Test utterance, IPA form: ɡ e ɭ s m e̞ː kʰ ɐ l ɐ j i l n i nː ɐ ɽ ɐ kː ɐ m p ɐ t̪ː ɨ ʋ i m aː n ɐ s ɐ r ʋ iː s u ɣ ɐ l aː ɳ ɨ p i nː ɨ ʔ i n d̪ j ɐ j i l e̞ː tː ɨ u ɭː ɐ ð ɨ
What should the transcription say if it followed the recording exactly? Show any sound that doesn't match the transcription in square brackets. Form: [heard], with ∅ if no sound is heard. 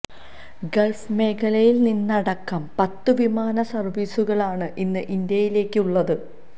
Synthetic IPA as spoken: ɡ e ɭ [f] m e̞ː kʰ ɐ l ɐ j i l n i nː ɐ ɽ ɐ kː ɐ m p ɐ t̪ː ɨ ʋ i m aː n ɐ s ɐ r ʋ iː s u ɣ ɐ [ɭ] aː ɳ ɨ [ʔ] i nː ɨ ʔ i n d̪ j ɐ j i l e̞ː [kː] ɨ u ɭː ɐ ð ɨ